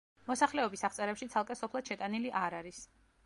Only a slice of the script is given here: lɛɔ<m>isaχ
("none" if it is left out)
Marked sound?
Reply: b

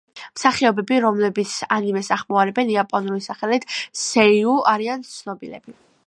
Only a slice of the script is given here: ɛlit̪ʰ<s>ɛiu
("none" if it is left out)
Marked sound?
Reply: s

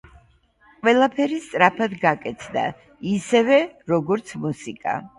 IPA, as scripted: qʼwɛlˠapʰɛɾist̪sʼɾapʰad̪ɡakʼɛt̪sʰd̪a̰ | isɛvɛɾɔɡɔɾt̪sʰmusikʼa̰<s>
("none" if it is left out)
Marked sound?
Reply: none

